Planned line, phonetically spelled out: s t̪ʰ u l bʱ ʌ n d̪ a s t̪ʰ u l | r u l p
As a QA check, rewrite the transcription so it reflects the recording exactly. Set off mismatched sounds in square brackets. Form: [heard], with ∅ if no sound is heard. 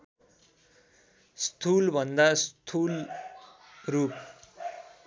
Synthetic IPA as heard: s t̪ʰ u l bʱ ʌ n d̪ a s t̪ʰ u l | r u [∅] p

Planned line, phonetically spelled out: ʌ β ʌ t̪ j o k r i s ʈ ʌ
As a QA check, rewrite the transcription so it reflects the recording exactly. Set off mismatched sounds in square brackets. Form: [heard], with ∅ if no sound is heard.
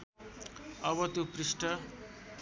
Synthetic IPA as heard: ʌ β ʌ t̪ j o [p] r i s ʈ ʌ

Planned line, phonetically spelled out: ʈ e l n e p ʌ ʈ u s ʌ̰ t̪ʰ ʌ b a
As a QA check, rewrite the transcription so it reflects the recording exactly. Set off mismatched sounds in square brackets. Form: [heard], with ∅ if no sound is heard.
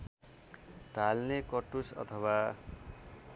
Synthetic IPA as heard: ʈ [a] l n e [k] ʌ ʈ u s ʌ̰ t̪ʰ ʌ [w] a

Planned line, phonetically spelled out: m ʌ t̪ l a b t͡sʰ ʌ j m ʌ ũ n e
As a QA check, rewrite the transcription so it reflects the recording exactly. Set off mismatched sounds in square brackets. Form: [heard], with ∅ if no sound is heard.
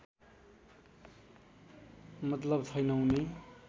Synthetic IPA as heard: m ʌ t̪ l [ʌ] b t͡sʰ ʌ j [n] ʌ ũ n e

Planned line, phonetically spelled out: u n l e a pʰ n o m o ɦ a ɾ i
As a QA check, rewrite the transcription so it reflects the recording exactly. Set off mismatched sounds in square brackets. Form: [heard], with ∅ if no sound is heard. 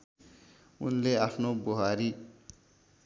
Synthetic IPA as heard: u n l e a pʰ n o [b] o ɦ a ɾ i

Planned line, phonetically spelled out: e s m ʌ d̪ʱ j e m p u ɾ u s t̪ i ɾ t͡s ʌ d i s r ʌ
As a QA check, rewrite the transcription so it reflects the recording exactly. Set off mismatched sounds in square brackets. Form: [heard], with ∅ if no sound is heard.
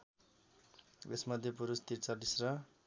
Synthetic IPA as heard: e s m ʌ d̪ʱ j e [∅] p u ɾ u s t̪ i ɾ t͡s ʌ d i s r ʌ

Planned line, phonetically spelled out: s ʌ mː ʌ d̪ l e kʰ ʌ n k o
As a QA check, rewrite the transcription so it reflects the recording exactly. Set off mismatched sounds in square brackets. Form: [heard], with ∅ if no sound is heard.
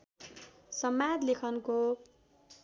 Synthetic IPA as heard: s ʌ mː [a] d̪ l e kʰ ʌ n k o

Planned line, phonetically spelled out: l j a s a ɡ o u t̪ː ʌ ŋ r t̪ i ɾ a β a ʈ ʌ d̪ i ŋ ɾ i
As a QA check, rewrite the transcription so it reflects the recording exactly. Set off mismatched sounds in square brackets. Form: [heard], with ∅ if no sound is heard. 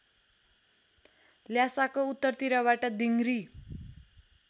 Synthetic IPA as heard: l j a s a [k] o u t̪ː ʌ [∅] r t̪ i ɾ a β a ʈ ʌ d̪ i ŋ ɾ i

